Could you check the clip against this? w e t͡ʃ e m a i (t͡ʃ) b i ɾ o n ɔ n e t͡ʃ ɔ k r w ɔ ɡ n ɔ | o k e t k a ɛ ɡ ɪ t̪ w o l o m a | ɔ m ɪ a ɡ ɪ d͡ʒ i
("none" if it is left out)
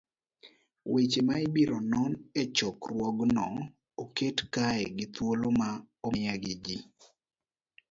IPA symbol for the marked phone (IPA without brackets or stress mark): none